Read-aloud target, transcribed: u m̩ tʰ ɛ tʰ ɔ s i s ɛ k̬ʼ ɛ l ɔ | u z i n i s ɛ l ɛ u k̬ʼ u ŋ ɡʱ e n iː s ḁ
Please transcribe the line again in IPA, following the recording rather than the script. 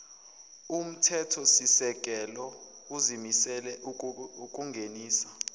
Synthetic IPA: u m̩ tʰ ɛ tʰ ɔ s i s ɛ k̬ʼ ɛ l ɔ | u z i m i s ɛ l ɛ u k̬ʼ u ŋ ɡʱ e n iː s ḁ